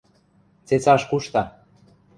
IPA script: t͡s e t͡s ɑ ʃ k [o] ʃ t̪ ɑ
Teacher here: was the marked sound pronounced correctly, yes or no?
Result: no